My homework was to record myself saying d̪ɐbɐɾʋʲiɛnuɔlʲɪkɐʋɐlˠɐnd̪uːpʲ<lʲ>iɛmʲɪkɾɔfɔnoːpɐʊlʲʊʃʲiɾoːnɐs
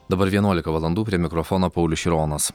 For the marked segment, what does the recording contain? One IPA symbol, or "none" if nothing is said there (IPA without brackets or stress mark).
ɾʲ